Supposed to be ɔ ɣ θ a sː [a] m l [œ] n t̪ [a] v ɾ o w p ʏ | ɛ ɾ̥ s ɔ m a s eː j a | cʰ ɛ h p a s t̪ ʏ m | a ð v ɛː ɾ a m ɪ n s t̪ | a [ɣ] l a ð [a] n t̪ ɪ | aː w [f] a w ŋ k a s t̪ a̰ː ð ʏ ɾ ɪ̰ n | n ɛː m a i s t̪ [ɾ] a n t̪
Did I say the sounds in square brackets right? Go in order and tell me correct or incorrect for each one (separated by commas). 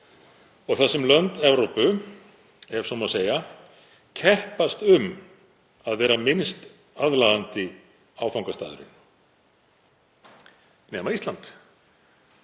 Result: incorrect, correct, incorrect, incorrect, correct, correct, incorrect